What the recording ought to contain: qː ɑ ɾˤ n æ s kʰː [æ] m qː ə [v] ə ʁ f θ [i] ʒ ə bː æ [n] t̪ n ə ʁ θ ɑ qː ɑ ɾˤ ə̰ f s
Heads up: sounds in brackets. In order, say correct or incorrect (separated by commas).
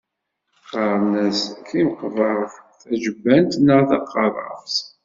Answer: incorrect, correct, incorrect, correct